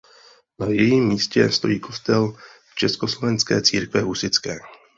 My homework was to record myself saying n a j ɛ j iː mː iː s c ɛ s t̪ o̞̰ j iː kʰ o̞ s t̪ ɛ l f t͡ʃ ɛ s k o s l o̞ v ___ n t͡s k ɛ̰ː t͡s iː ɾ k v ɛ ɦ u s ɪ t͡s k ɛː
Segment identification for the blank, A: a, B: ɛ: B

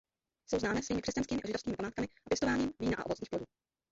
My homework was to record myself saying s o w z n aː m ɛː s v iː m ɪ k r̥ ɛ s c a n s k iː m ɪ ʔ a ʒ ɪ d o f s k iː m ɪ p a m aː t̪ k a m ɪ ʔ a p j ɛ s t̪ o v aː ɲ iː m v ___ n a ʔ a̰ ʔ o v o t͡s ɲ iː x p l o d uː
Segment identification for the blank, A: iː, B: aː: A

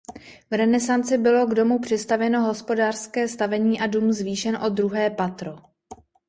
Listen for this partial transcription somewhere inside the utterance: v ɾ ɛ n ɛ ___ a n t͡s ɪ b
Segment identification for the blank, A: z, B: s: B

